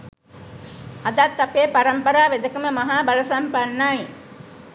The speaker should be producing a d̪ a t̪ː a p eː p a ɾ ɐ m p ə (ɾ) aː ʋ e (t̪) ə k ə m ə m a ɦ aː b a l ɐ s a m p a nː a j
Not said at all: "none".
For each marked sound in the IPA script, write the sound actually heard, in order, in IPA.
ɾ, d̪

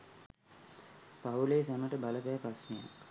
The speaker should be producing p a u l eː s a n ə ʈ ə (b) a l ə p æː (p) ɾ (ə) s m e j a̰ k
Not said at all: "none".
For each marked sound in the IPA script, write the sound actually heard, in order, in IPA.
b, p, a

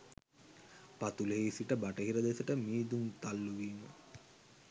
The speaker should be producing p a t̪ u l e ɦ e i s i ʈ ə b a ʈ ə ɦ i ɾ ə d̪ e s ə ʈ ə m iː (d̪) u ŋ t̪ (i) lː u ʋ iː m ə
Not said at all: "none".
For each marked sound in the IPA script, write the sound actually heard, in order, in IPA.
d̪, a

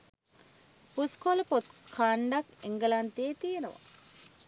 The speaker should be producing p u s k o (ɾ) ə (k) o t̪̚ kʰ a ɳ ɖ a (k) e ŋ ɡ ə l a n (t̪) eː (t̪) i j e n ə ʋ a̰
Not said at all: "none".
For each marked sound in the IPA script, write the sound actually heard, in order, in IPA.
l, p, k, t̪, t̪

